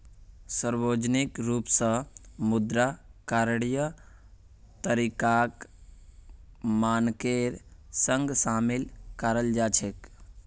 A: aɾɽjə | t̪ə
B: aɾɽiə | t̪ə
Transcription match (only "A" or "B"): A